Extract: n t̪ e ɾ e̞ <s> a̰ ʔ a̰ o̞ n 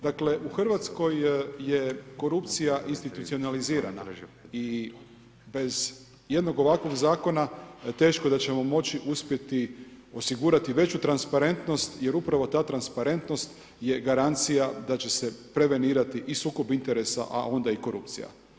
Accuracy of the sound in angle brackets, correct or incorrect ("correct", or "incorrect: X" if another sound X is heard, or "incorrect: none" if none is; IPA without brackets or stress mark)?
correct